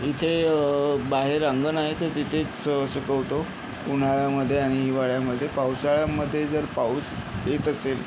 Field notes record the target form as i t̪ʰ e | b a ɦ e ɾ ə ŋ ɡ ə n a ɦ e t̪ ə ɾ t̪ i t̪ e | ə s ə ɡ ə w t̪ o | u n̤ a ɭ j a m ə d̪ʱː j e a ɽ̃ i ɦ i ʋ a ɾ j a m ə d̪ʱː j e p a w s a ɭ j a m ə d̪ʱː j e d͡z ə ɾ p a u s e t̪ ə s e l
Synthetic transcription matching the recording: i t̪ʰ e | b a ɦ e ɾ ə ŋ ɡ ə n a ɦ e t̪ ə ɾ t̪ i t̪ʰ e | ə s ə k ə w t̪ o | u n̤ a ɭ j a m ə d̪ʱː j e a ɽ̃ i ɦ i ʋ a ɭ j a m ə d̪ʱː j e p a w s a ɭ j a m ə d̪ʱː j e d͡z ə ɾ p a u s e t̪ ə s e l